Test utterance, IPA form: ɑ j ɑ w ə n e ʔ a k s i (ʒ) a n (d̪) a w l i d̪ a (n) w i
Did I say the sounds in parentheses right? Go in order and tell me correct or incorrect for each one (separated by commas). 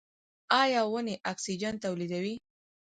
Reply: incorrect, incorrect, incorrect